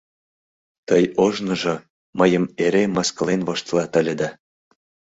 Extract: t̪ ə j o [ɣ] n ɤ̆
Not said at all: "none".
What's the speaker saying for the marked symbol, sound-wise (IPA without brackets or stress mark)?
ʒ